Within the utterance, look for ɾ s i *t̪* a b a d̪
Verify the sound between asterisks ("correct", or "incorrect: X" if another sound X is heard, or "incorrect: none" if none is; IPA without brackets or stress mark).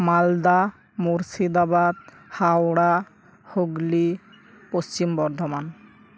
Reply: incorrect: d̪